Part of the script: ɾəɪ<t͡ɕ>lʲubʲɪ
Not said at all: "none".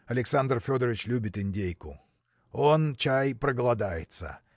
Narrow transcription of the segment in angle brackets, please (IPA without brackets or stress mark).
t͡ɕ